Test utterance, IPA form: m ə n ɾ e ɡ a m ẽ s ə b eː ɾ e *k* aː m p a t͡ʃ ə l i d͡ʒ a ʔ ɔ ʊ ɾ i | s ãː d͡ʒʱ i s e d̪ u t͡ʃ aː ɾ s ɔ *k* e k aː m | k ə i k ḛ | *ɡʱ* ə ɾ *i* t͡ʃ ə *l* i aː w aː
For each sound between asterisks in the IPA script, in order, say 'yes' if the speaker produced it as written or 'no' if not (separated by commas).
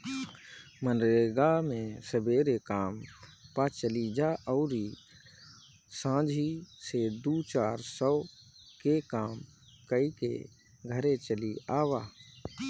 yes, yes, yes, no, yes